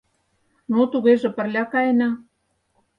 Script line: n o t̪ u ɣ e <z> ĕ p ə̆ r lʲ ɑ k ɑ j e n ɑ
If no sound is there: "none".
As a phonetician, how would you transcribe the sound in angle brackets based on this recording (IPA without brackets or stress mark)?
ʒ